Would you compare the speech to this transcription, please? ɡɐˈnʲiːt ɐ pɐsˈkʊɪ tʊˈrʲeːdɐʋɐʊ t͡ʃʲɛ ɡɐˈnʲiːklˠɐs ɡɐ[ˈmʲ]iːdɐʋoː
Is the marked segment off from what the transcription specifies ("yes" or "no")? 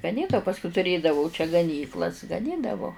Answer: yes